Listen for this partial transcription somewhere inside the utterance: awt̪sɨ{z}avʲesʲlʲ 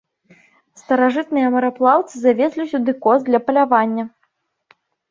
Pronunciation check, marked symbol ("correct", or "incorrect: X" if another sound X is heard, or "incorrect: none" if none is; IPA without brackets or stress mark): correct